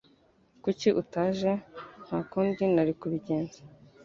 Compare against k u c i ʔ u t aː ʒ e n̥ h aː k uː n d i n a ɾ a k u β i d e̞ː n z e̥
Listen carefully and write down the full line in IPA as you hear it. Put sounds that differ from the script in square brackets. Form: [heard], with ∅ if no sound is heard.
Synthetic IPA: k u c i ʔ u t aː ʒ e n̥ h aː k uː n d i n a ɾ [i] k u β i [ɟ] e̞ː n z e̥